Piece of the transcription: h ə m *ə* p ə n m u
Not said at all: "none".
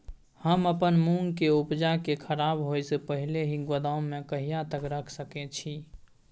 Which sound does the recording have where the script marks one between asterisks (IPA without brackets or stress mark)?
ə